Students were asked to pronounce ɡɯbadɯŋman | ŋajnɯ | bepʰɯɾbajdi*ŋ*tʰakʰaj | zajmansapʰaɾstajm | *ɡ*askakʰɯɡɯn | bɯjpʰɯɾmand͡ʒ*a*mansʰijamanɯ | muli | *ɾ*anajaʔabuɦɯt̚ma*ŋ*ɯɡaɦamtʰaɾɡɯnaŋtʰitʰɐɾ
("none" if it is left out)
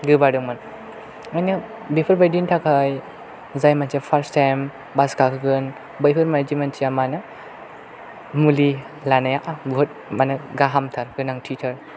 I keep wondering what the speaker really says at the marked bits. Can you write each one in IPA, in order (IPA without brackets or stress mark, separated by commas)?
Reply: n, b, i, l, n